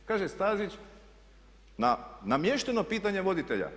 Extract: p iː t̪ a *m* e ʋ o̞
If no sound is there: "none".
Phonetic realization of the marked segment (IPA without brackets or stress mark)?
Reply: ɲ